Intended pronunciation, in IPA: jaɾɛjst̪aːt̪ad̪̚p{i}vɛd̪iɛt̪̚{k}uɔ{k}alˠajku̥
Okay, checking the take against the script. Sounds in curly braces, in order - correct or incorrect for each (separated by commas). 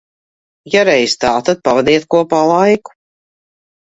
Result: incorrect, correct, incorrect